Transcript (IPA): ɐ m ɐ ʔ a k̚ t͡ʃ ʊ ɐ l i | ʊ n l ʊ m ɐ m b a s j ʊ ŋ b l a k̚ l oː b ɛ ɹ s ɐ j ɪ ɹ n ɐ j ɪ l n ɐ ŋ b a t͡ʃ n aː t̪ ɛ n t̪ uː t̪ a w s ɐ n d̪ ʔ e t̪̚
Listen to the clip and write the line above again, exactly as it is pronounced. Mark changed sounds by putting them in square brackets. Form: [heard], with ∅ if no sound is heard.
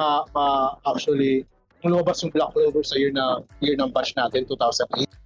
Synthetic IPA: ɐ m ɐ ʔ a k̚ t͡ʃ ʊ ɐ l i | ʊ [ŋ] l ʊ m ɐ [∅] b a s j ʊ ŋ b l a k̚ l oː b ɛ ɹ s ɐ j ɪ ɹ n ɐ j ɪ [ɹ] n ɐ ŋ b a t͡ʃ n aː t̪ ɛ n t̪ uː t̪ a w s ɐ n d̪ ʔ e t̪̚